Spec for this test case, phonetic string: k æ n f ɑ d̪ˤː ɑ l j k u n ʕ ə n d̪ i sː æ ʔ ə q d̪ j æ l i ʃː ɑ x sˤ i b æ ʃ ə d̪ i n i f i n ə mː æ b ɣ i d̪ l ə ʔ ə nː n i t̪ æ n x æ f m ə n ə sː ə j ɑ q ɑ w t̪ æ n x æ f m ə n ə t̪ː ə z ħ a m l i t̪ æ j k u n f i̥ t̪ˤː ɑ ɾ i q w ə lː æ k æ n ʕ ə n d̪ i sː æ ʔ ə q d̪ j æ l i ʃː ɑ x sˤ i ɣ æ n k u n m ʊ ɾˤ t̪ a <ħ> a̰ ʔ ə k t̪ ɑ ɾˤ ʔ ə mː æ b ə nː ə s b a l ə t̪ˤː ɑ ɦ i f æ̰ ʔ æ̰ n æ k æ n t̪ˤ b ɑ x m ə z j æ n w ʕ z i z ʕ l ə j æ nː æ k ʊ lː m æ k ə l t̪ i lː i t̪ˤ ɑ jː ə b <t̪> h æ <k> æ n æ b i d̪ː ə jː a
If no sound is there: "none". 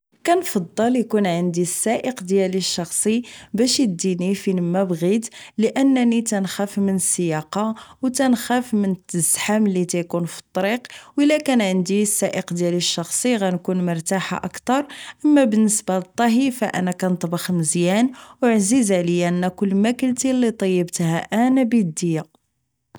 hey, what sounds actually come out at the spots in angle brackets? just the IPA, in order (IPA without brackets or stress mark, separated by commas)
ħ, t̪, ʔ